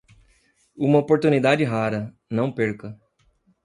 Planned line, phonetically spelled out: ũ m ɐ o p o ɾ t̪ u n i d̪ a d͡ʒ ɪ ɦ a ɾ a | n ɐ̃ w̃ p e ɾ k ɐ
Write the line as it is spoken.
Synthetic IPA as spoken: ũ m ɐ o p o ɾ t̪ u n i d̪ a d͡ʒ ɪ ɦ a ɾ ɐ | n ɐ̃ w̃ p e ɾ k ɐ